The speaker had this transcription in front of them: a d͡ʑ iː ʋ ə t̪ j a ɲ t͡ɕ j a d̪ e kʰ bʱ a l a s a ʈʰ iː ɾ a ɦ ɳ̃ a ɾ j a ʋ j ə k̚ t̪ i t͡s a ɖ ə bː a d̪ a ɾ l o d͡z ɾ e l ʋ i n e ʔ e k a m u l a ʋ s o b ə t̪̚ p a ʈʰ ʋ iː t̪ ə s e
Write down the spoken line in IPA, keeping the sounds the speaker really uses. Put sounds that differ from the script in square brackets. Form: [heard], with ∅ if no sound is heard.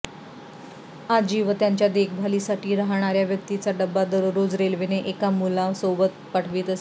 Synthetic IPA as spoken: a d͡ʑ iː ʋ ə t̪ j a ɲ t͡ɕ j a d̪ e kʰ bʱ a l [i] s a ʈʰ iː ɾ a ɦ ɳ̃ a ɾ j a ʋ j ə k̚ t̪ i t͡s a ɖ ə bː a d̪ [ə] ɾ [ɾ] o d͡z ɾ e l ʋ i n e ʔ e k a m u l a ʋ s o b ə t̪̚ p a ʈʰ ʋ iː t̪ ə s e